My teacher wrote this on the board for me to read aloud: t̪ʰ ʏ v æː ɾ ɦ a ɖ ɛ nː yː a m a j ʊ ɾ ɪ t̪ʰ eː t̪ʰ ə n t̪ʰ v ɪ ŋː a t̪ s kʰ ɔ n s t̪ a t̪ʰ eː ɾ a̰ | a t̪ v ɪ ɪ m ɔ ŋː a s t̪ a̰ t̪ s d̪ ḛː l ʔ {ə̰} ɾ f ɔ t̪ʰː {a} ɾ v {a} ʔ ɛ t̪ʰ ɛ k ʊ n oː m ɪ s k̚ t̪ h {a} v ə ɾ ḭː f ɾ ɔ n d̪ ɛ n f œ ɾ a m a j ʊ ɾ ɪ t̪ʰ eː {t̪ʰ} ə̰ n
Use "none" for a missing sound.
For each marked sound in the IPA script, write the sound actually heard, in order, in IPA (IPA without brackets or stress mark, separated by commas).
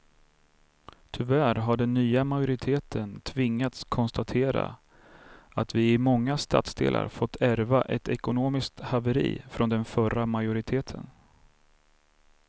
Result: a̰, æ, a, a, t̪ʰ